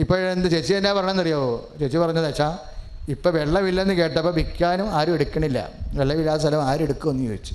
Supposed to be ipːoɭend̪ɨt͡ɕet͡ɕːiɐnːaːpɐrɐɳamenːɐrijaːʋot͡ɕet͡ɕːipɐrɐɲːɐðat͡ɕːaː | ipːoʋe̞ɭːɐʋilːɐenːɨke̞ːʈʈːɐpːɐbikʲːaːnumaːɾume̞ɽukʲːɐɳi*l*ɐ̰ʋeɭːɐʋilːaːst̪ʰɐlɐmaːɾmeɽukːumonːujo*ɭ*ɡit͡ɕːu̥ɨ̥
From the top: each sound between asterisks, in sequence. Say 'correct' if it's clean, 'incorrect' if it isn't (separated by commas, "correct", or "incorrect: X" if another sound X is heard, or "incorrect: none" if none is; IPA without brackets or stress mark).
incorrect: lː, incorrect: none